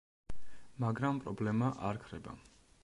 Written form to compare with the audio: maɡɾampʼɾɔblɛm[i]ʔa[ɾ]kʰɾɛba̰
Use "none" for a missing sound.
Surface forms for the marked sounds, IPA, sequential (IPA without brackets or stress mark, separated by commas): a, ɾ